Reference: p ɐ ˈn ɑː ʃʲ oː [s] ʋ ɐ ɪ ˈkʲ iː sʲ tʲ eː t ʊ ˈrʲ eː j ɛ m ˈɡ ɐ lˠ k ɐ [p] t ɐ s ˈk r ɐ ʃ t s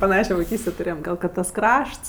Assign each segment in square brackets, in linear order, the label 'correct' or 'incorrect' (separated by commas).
incorrect, incorrect